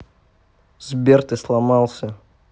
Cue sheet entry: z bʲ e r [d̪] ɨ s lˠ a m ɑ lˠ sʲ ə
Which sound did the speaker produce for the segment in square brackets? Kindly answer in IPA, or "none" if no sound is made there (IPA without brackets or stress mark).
t̪